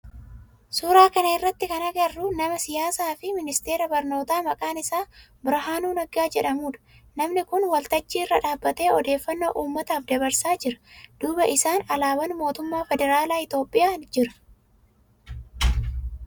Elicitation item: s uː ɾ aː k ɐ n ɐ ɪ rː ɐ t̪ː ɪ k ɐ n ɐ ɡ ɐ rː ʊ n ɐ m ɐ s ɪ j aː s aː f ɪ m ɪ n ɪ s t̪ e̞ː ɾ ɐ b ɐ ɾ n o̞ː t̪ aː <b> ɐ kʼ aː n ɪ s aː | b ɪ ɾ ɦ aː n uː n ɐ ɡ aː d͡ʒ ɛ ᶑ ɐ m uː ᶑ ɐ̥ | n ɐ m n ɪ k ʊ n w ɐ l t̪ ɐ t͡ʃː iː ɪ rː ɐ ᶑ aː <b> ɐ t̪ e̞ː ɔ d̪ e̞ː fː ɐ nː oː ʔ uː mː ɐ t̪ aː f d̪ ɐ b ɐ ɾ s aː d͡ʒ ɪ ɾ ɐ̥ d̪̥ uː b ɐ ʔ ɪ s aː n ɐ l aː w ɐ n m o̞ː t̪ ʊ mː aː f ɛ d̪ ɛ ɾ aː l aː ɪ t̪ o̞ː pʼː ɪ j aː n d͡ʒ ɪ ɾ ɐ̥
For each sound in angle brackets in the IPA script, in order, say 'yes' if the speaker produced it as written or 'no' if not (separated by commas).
no, no